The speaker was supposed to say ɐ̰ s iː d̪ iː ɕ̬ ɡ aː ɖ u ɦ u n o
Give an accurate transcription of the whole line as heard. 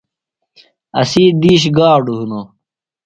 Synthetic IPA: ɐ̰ s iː d̪ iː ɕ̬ ɡ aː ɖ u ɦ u n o